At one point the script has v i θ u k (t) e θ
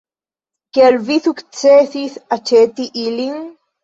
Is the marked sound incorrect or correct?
incorrect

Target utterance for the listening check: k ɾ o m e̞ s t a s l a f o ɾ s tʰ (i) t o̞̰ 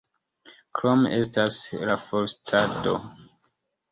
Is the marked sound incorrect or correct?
incorrect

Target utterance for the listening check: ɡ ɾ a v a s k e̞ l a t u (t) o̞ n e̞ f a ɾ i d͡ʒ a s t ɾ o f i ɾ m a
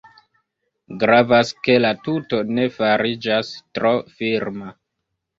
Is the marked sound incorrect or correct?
correct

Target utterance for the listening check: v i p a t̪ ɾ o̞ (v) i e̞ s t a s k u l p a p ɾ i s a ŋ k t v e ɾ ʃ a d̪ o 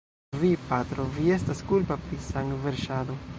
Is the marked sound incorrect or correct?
correct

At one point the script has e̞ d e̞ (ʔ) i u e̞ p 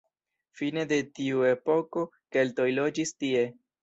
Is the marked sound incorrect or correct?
incorrect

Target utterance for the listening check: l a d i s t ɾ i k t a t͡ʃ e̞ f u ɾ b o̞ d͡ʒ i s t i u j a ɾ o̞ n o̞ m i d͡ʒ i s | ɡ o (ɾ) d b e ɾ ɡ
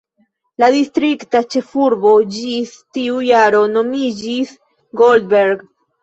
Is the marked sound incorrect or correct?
incorrect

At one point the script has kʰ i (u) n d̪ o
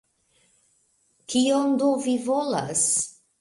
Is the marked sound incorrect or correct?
incorrect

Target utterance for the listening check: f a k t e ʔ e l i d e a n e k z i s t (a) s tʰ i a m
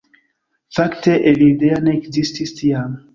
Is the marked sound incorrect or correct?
incorrect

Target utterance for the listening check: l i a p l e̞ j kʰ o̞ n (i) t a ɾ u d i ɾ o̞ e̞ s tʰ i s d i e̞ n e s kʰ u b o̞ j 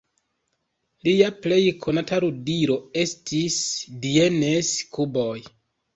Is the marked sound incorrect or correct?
incorrect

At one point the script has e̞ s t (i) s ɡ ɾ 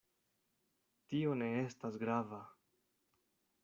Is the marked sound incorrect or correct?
incorrect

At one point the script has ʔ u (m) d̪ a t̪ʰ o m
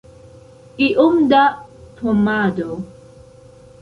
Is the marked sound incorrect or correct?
correct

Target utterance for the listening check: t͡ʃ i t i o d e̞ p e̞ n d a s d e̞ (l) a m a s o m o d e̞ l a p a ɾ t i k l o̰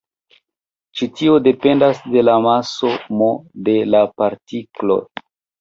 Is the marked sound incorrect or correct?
correct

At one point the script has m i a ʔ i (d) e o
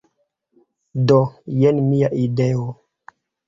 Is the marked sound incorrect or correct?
correct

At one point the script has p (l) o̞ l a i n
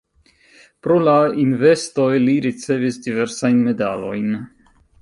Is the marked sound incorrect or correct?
incorrect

